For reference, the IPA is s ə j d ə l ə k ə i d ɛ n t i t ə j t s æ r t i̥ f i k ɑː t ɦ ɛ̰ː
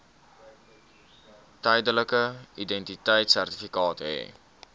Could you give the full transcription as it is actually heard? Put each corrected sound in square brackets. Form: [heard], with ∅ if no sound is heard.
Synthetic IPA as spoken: [t] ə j d ə l ə k ə i d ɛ n t i t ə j t s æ r t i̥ f i k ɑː t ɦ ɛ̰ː